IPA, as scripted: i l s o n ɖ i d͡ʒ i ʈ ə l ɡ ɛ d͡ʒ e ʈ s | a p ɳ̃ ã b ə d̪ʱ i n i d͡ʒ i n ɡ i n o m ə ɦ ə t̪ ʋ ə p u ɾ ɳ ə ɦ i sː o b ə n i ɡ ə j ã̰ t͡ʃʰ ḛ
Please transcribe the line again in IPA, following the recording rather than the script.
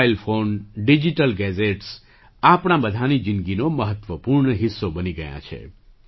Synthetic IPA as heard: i l f o n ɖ i d͡ʒ i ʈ ə l ɡ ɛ d͡ʒ e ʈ s | a p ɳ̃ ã b ə d̪ʱ a n i d͡ʒ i n ɡ i n o m ə ɦ ə t̪ ʋ ə p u ɾ ɳ ə ɦ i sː o b ə n i ɡ ə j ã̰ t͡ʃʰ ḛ

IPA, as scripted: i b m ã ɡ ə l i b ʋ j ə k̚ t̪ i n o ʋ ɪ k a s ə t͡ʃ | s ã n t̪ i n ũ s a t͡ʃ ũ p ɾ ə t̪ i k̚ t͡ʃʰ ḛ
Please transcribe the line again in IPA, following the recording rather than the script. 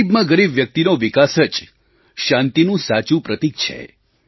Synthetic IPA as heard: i b m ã ɡ ə ɾ i b ʋ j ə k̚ t̪ i n o ʋ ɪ k a s ə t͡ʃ | ʃ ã n t̪ i n ũ s a t͡ʃ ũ p ɾ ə t̪ i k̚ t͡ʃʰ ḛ

